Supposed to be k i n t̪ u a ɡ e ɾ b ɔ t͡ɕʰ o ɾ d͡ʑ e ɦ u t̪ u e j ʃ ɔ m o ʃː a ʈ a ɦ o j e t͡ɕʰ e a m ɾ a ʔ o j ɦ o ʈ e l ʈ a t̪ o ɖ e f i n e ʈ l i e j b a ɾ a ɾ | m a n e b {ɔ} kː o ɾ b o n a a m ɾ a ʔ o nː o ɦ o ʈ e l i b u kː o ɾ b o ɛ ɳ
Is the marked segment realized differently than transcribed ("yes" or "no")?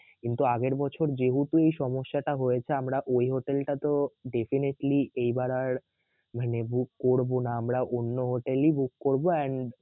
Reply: yes